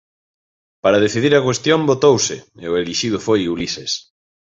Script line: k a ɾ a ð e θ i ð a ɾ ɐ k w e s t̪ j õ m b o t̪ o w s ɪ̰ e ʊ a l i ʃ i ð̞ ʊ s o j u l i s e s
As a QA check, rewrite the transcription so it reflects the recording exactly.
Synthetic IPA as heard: p a ɾ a ð e θ i ð i ɾ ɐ k w e s t̪ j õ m b o t̪ o w s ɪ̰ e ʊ e l i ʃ i ð̞ ʊ f o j u l i s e s